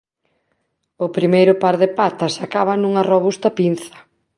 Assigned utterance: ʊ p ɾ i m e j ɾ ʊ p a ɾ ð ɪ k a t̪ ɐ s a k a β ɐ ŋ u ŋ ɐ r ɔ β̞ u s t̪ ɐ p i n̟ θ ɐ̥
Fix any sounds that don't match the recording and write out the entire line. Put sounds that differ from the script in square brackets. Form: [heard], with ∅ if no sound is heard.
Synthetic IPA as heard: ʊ p ɾ i m e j ɾ ʊ p a ɾ ð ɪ [p] a t̪ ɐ s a k a β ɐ [n] u ŋ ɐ r [o] β̞ u s t̪ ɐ p i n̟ θ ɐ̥